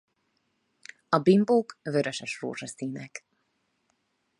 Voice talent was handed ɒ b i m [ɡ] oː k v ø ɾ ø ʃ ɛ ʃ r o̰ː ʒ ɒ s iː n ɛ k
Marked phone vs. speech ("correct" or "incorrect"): incorrect